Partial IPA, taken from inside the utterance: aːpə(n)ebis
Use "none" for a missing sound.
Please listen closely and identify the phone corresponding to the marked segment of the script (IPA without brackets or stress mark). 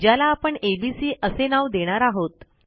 ɳ